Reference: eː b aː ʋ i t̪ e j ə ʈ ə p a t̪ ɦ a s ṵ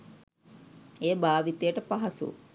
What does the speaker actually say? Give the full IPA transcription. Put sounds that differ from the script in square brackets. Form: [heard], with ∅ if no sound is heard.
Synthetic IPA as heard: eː b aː ʋ i t̪ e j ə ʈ ə p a [∅] ɦ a s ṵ